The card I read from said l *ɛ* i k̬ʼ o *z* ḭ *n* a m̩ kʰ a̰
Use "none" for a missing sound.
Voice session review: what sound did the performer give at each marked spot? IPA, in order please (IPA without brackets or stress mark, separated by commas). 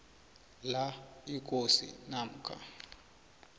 a, s, n